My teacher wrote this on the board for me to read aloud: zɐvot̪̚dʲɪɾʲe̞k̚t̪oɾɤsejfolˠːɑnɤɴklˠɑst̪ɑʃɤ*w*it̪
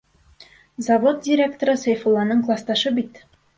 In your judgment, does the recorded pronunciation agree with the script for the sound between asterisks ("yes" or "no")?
no